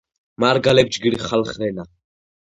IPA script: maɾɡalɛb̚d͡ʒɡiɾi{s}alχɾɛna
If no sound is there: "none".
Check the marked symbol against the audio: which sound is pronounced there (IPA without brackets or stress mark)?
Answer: χ